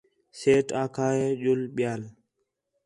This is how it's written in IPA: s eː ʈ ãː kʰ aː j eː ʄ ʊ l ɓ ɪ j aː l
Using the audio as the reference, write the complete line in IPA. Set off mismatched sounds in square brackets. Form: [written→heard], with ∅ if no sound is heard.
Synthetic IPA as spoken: s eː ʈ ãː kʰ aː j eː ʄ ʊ l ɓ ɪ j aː l